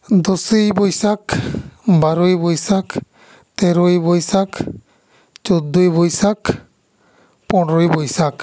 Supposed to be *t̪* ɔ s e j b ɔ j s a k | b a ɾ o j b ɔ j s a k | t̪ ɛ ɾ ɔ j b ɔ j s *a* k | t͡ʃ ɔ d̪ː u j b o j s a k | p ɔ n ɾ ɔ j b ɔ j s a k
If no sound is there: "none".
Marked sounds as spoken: d̪, a

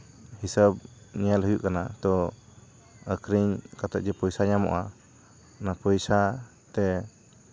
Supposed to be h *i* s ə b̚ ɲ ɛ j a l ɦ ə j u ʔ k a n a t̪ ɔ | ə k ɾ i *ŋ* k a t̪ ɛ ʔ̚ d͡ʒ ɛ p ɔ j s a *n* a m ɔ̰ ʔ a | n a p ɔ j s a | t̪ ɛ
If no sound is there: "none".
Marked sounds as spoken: i, ɲ, ɲ

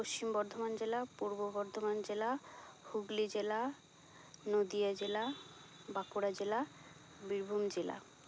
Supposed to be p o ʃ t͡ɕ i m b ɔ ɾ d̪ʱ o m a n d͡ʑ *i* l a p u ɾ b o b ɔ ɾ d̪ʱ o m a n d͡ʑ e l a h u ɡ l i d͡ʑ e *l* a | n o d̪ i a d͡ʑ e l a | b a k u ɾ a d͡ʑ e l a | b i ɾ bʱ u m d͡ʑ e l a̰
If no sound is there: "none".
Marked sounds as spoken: e, l

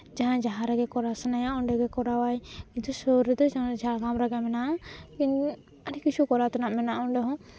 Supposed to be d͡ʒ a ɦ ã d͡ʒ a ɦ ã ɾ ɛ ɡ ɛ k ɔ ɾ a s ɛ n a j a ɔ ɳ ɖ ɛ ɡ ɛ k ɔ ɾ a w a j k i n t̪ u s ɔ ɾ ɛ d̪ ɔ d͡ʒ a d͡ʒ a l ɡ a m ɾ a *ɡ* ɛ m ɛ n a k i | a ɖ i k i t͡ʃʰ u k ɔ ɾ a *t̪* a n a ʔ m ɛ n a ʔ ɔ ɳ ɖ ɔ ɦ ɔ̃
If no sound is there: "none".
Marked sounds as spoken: ɡ, t̪

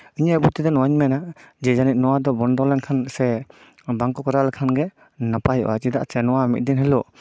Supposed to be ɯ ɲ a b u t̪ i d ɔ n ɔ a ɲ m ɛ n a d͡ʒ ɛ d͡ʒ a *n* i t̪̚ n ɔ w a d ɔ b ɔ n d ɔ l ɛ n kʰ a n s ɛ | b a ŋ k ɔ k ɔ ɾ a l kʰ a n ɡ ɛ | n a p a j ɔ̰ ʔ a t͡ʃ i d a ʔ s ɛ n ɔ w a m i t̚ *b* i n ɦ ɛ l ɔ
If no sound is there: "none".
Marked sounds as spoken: n, d

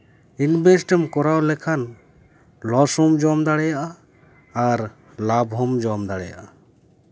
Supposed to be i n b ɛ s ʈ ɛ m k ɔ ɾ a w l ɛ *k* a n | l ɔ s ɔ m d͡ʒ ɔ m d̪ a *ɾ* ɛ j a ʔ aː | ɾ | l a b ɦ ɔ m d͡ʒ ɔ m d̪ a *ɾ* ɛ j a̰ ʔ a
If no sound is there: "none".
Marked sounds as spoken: kʰ, ɽ, ɽ

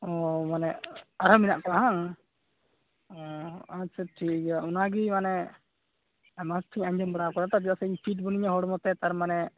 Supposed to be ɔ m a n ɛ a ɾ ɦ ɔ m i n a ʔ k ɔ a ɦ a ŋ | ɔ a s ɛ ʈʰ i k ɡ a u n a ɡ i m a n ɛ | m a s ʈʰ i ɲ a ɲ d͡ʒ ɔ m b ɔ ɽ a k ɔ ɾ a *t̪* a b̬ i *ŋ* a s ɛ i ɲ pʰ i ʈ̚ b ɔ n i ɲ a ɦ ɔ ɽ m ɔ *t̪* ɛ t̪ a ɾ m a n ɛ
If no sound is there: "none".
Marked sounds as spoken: t̪, none, t̪

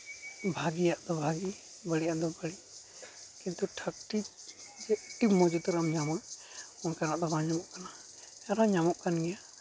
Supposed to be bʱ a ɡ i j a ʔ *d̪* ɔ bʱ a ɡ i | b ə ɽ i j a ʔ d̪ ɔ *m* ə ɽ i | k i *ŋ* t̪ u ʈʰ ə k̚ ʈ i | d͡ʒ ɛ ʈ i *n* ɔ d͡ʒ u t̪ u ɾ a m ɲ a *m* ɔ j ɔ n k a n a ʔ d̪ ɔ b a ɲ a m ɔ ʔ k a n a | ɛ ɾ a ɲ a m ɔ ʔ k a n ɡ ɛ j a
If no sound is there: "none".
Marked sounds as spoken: d̪, b, n, m, m

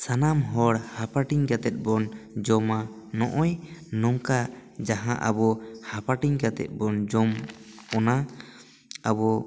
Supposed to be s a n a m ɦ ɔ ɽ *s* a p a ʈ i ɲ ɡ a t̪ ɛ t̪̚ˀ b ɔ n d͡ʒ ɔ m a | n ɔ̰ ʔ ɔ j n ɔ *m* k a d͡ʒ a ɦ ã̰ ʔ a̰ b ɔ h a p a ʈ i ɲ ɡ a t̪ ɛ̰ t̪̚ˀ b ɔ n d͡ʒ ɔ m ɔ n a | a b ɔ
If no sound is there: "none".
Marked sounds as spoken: h, ŋ

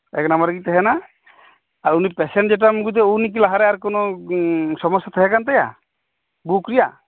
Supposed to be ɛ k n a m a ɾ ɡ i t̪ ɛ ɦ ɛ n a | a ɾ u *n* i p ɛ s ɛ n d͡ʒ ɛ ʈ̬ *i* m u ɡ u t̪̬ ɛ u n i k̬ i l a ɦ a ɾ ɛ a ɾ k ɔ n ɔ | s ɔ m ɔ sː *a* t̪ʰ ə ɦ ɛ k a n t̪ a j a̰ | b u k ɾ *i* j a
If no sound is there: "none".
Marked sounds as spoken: n, a, a, i

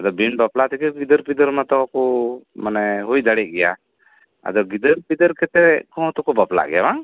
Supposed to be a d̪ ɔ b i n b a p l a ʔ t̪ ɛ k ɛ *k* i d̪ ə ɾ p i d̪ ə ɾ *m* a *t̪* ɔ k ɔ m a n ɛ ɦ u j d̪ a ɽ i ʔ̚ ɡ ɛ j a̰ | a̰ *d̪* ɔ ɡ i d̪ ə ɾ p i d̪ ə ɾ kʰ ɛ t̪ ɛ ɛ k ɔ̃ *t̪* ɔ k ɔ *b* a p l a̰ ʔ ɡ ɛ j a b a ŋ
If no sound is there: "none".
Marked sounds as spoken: ɡ, m, t̪, d̪, t̪, b

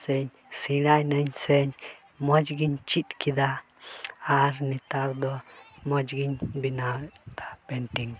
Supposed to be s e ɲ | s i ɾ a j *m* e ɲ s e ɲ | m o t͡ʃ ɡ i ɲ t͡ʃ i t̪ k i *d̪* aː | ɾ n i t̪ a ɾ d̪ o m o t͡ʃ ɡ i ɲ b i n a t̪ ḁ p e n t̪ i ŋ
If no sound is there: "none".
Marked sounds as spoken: n, d̪

